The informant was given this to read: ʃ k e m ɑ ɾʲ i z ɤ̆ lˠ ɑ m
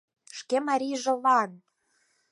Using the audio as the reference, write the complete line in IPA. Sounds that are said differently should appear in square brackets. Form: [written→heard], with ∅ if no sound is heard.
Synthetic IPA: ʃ k e m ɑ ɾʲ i [z→ʒ] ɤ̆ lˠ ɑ [m→n]